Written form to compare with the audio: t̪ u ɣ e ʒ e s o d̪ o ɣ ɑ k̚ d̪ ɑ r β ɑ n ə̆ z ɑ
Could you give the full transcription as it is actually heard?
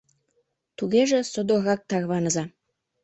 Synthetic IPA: t̪ u ɣ e ʒ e s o d̪ o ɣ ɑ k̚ t̪ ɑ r β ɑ n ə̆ z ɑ